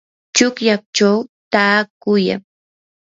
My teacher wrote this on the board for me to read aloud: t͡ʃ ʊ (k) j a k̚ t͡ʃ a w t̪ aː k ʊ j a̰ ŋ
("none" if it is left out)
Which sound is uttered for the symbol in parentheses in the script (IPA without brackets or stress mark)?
k